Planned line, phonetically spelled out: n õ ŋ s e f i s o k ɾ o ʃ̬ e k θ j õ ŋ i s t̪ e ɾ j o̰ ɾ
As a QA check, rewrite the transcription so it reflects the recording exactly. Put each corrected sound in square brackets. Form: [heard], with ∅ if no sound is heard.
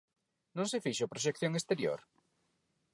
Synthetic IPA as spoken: n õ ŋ s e f i [ʃ] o [p] ɾ o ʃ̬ e k θ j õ ŋ [e] s t̪ e ɾ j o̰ ɾ